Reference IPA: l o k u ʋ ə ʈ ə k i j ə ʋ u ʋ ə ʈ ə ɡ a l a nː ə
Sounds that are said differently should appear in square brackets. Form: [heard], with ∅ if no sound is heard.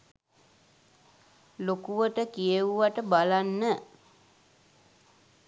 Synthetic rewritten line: l o k u ʋ ə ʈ ə k i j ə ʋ u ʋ [a] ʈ ə [b] a l a nː ə